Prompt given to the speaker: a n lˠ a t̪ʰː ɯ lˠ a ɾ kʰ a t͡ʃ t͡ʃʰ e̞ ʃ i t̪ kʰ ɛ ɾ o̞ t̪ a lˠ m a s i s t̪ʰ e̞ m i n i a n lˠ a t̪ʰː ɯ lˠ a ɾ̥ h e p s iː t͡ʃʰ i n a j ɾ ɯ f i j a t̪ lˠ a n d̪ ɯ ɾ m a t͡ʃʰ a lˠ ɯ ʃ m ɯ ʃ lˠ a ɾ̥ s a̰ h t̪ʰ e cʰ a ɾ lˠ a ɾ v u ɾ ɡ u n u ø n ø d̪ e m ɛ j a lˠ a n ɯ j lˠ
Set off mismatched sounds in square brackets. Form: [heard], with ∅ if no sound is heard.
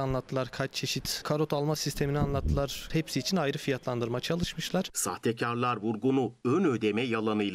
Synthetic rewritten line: a n lˠ a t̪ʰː ɯ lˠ a ɾ kʰ a t͡ʃ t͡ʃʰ e̞ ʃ i t̪ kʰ [a] ɾ o̞ t̪ a lˠ m a s i s t̪ʰ e̞ m i n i a n lˠ a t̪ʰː ɯ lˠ a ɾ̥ h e p s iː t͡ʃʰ i n a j ɾ ɯ f i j a t̪ lˠ a n d̪ ɯ ɾ m a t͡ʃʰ a lˠ ɯ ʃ m ɯ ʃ lˠ a ɾ̥ s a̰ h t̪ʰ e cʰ a ɾ lˠ a ɾ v u ɾ ɡ u n u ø n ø d̪ e m ɛ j a lˠ a n ɯ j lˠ

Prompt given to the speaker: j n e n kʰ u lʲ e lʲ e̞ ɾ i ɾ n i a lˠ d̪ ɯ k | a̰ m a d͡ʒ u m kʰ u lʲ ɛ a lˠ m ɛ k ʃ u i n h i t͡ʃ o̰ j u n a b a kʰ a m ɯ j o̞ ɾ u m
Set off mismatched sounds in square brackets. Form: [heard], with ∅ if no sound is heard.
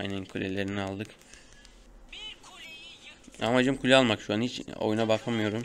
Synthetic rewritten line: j n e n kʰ u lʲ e lʲ e̞ ɾ i [∅] n i a lˠ d̪ ɯ k | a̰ m a d͡ʒ [ɯ] m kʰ u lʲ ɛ a lˠ m [a] k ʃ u [a] n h i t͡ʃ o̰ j u n a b a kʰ a m ɯ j o̞ ɾ u m

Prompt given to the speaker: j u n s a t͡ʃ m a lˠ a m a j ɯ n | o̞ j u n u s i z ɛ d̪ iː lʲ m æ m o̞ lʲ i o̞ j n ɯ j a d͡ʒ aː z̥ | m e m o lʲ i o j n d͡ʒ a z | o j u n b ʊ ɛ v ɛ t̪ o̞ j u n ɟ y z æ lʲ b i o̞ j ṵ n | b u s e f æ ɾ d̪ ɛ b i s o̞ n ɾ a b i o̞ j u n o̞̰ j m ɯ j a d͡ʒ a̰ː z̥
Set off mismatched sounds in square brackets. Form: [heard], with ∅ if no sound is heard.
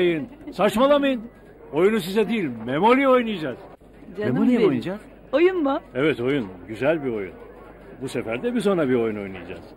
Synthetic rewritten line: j [ɯ] n s a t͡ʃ m a lˠ a m a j ɯ n | o̞ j u n u s i z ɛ d̪ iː lʲ m [e] m o̞ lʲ i o̞ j n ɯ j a d͡ʒ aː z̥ | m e m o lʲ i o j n d͡ʒ a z | o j u n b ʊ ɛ v ɛ t̪ o̞ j u n ɟ y z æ lʲ b i o̞ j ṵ n | b u s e f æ ɾ d̪ ɛ b i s o̞ n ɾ a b i o̞ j u n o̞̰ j [n] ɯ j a d͡ʒ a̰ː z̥

